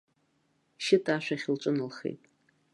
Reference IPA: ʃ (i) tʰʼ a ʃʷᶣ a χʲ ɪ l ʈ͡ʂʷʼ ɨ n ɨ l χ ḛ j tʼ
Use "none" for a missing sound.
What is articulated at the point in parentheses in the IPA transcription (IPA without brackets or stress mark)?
ɪ